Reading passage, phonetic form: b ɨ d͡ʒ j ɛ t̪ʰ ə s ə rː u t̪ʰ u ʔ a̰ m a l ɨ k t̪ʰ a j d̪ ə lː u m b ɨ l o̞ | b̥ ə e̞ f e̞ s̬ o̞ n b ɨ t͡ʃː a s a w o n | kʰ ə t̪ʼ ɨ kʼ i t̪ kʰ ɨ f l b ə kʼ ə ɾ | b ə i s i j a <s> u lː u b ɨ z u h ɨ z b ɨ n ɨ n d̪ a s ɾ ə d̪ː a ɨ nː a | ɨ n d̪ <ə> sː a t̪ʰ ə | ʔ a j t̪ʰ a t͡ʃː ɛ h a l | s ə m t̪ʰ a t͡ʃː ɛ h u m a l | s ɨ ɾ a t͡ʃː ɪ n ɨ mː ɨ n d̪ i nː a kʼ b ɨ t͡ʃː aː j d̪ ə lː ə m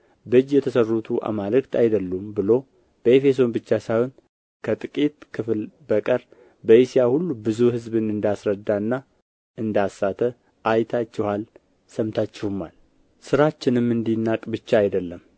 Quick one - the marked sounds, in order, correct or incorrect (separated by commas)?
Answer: incorrect, incorrect